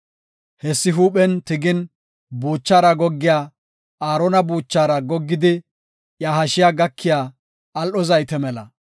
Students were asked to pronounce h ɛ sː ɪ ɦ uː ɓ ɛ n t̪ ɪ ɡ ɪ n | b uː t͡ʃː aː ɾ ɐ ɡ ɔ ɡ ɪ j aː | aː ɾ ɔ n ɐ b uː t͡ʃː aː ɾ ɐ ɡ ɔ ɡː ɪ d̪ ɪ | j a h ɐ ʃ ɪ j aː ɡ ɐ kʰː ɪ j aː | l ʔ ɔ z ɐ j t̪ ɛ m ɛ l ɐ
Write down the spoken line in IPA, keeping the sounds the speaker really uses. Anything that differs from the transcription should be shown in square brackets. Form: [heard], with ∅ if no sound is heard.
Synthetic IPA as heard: h ɛ sː ɪ ɦ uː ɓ ɛ n t̪ ɪ ɡ ɪ n | b uː t͡ʃː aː ɾ ɐ ɡ ɔ [ɡː] ɪ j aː | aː ɾ ɔ n ɐ b uː t͡ʃː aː ɾ ɐ ɡ ɔ ɡː ɪ d̪ ɪ | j a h ɐ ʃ ɪ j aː ɡ ɐ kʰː ɪ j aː | l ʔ ɔ z ɐ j t̪ ɛ m ɛ l ɐ